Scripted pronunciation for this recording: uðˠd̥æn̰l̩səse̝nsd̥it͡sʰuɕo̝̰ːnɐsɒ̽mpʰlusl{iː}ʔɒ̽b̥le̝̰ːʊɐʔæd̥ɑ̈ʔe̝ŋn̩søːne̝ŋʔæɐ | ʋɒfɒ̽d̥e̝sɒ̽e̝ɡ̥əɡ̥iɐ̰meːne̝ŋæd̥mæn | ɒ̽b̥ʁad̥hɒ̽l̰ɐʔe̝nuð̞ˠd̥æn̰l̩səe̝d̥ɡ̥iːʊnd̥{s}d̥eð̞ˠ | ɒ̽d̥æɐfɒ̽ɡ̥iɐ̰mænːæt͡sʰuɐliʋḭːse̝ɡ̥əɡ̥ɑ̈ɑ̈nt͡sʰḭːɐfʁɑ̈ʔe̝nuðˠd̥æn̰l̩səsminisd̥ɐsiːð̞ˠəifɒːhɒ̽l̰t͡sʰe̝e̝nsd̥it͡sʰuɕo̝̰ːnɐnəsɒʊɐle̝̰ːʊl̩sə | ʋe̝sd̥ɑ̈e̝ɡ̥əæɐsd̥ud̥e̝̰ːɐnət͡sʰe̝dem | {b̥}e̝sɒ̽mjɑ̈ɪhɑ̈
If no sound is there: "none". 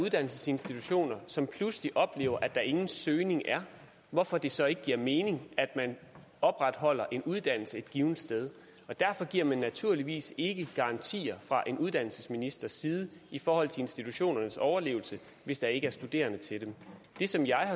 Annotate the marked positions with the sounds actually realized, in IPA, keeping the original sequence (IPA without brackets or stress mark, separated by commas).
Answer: i, s, d̥